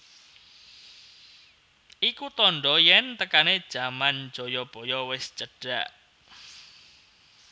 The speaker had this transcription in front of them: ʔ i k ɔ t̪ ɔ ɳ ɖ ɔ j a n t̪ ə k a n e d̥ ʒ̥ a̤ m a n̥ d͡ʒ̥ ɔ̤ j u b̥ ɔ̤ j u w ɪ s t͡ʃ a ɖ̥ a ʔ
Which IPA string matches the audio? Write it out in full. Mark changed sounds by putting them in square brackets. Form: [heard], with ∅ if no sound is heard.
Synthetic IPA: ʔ i k [u] t̪ ɔ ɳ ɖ ɔ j [ɛ] n t̪ ə k a n e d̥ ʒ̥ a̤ m a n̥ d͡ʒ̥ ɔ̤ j [ɔ] b̥ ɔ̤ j [ɔ] w ɪ s t͡ʃ [ə] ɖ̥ a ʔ

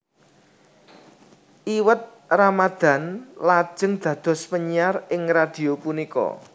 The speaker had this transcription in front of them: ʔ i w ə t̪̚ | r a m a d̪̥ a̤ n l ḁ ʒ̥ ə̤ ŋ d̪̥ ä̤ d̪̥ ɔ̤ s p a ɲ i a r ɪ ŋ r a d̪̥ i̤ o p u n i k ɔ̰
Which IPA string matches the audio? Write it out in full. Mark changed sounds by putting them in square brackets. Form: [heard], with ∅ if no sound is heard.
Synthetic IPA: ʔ i w ə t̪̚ | r a m a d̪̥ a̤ n l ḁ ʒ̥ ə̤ ŋ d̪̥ ä̤ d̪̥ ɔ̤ s p [ə] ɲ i a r ɪ ŋ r a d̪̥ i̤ o p u n i k ɔ̰

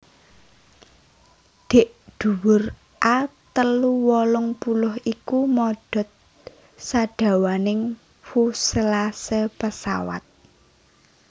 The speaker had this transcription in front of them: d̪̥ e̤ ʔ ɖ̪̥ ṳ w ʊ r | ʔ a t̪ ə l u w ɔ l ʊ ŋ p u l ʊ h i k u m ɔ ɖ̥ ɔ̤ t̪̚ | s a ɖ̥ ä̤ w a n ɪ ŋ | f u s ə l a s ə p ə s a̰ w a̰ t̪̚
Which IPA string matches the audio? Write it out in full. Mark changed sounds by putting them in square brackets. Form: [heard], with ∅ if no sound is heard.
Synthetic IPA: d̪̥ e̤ ʔ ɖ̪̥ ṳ w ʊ r | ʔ a t̪ ə l u w ɔ l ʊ ŋ p u l ʊ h i k u m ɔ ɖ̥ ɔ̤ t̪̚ | s a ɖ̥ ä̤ w a n ɪ ŋ | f u s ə l a s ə p ə s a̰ w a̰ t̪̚

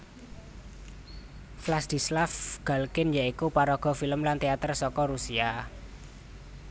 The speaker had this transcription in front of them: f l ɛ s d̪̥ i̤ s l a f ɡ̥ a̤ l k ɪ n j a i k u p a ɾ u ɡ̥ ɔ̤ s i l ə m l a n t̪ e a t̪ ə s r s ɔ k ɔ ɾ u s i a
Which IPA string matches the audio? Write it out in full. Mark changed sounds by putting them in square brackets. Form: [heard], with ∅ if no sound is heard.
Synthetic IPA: f l [a] s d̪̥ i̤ s l a f ɡ̥ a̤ l k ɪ n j a i k u p a ɾ [ɔ] ɡ̥ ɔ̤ [f] i l ə m l a n t̪ e a t̪ ə [∅] r s ɔ k ɔ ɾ u s i a

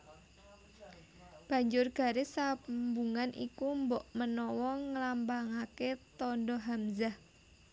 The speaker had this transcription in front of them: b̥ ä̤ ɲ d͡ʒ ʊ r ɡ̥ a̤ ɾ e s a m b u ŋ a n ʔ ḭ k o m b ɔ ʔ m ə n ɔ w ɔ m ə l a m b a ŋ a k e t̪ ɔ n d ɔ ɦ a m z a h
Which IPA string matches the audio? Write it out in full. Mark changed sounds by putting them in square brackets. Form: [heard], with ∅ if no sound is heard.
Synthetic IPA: b̥ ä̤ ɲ d͡ʒ ʊ r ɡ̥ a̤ ɾ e s a m b u ŋ a n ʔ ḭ k [u] m b ɔ ʔ m ə n ɔ w ɔ [ŋ] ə l a m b a ŋ a k e t̪ ɔ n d ɔ ɦ a m z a h

